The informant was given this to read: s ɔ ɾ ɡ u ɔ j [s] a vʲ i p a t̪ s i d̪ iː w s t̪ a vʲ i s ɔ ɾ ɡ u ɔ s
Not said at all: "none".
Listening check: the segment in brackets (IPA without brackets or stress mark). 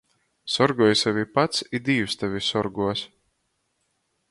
s